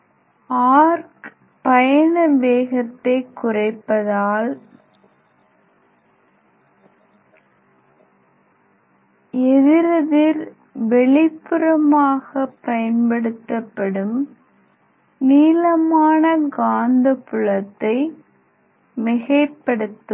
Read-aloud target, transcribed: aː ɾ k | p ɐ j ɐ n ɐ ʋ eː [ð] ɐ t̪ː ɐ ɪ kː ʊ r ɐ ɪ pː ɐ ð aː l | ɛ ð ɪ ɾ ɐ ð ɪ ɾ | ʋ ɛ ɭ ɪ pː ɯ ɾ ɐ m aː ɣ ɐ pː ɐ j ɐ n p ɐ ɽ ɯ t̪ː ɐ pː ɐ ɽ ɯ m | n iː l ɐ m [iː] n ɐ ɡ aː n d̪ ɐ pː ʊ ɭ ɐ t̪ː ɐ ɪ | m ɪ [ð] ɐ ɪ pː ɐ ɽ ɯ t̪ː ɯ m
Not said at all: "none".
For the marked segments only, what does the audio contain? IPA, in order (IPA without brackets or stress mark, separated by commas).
ɣ, aː, ɣ